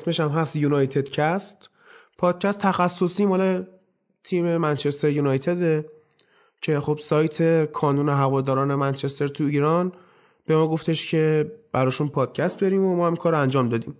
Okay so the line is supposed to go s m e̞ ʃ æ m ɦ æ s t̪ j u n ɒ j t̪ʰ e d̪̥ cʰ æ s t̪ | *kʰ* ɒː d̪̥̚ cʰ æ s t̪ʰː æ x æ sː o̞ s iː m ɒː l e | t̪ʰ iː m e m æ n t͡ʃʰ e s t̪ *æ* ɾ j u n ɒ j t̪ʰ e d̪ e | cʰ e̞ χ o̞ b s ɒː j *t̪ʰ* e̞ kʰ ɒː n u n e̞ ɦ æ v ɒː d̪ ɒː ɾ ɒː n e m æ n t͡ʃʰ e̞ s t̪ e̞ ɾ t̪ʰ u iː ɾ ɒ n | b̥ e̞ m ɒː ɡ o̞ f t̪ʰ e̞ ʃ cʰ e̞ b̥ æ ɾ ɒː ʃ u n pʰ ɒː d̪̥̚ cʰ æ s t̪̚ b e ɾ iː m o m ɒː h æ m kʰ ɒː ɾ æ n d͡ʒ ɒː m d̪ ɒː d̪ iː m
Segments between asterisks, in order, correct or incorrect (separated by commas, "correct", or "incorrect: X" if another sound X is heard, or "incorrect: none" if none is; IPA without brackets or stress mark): incorrect: pʰ, incorrect: e, correct